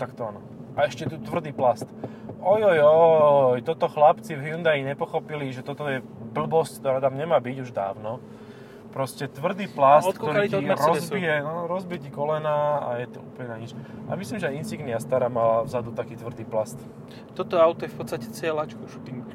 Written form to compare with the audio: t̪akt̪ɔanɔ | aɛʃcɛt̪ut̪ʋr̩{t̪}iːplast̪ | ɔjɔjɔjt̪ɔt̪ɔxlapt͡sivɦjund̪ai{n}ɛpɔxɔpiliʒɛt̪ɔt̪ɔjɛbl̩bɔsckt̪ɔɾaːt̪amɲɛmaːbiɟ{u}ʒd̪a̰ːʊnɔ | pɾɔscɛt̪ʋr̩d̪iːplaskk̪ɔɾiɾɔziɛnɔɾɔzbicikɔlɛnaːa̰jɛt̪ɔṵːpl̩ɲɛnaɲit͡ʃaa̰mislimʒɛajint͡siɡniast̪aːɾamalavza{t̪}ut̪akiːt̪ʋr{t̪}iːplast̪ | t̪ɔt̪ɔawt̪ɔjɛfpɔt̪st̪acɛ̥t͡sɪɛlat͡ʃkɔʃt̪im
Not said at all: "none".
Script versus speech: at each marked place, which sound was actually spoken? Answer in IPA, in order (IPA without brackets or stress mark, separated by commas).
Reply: d̪, ɲ, u, d̪, d̪